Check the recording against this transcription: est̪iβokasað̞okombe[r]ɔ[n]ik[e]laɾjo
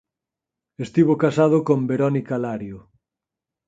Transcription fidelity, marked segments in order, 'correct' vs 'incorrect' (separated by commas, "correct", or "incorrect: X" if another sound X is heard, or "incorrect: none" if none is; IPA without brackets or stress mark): incorrect: ɾ, correct, incorrect: a